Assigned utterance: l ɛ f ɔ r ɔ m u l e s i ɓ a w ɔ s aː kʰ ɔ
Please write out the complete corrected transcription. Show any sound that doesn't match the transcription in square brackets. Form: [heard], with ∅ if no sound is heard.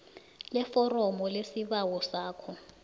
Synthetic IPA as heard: l ɛ f ɔ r ɔ m [ɔ] l e s i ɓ a w ɔ s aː kʰ ɔ